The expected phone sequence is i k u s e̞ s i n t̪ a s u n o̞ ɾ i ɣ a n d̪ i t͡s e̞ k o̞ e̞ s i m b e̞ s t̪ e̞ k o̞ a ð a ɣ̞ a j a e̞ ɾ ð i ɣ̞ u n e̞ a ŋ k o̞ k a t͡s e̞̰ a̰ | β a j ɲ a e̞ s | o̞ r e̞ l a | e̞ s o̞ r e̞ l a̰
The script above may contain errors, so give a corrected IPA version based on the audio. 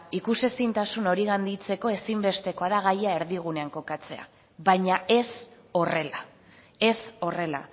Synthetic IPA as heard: i k u s e̞ s i n t̪ a s u n o̞ ɾ i ɣ a n d̪ i t͡s e̞ k o̞ e̞ s i m b e̞ s t̪ e̞ k o̞ a ð a ɣ̞ a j a e̞ ɾ ð i ɣ̞ u n e̞ a ŋ k o̞ k a t͡s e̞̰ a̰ | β a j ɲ a e̞ s | o̞ r e̞ l a | e̞ s o̞ r e̞ l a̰